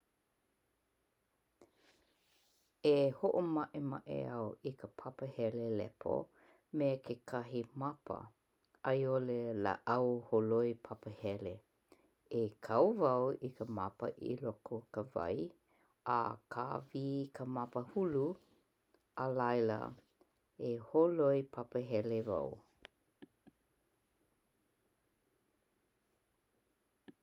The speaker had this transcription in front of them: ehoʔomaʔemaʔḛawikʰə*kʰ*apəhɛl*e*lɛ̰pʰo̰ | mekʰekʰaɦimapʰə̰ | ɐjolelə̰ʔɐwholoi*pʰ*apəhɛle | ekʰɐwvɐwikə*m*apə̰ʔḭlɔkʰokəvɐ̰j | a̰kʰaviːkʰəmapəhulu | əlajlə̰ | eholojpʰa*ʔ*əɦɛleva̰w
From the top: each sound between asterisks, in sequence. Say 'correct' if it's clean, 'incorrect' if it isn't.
incorrect, correct, correct, correct, incorrect

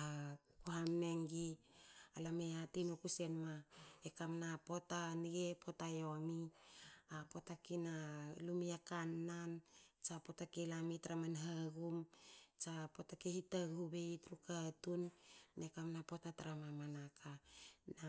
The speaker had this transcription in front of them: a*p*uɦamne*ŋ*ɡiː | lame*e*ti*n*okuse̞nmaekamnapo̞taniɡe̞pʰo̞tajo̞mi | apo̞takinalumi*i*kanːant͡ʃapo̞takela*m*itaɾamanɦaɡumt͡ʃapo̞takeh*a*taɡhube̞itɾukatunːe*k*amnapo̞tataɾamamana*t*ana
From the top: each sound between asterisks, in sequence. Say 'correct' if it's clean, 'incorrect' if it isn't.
incorrect, correct, incorrect, correct, incorrect, correct, incorrect, correct, incorrect

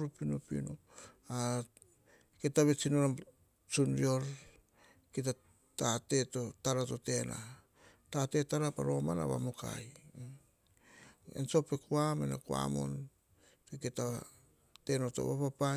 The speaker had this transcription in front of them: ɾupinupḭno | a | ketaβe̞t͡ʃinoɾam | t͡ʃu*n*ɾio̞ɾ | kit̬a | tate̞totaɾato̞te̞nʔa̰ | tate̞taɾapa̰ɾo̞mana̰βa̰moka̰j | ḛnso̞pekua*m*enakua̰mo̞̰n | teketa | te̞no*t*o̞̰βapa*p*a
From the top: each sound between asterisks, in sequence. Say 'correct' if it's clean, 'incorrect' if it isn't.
correct, correct, correct, correct

